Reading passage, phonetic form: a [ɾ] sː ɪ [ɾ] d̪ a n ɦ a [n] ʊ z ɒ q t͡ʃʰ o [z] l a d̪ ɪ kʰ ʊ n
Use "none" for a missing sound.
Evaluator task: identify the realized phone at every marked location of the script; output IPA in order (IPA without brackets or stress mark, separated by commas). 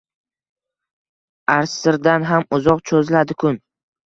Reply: ɾ, ɾ, m, z